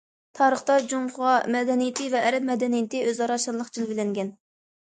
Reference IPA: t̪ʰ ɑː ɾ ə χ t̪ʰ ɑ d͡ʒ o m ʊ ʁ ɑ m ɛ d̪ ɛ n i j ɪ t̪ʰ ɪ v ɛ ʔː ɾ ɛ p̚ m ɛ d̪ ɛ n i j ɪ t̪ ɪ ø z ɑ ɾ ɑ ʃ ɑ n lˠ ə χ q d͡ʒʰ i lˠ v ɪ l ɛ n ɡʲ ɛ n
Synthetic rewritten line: t̪ʰ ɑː ɾ ə χ t̪ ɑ d͡ʒ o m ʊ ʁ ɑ m ɛ d̪ ɛ n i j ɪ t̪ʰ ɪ v ɛ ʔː ɾ ɛ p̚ m ɛ d̪ ɛ n i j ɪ t̪ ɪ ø z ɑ ɾ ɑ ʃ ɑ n lˠ ə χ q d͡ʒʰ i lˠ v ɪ l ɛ ŋ ɡʲ ɛ n